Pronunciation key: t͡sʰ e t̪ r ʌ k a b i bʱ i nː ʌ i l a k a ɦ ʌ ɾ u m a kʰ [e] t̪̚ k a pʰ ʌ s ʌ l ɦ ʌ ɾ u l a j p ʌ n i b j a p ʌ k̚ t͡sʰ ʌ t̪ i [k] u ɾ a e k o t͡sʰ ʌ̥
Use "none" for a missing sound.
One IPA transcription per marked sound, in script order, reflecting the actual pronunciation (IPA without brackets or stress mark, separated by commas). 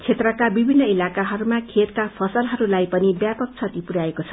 e, p